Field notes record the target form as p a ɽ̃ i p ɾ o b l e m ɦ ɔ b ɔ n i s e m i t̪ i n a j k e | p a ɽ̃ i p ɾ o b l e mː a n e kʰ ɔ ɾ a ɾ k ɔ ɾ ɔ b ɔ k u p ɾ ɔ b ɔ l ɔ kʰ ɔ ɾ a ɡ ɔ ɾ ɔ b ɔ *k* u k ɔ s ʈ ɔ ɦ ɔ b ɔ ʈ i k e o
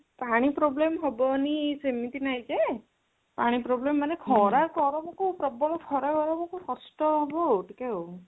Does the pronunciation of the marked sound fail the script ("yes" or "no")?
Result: no